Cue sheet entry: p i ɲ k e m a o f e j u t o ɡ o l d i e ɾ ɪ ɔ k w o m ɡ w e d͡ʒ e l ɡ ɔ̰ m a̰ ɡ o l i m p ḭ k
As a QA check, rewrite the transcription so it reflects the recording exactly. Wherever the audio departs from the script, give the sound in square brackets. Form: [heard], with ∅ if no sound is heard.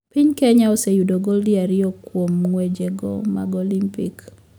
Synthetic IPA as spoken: p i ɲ k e [ɲ] a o [s] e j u [d] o ɡ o l d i [a] ɾ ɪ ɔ k w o m [ŋ] w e d͡ʒ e [∅] ɡ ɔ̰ m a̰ ɡ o l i m p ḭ k